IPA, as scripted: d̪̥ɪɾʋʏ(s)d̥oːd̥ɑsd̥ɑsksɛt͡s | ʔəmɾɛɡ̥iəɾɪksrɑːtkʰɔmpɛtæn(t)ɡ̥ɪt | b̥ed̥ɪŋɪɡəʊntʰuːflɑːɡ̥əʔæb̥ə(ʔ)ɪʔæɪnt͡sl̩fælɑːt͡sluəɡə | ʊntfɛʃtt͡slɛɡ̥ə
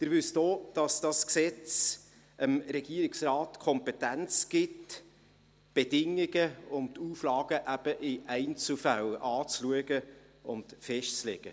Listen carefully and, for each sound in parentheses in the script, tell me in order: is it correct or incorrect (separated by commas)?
correct, incorrect, correct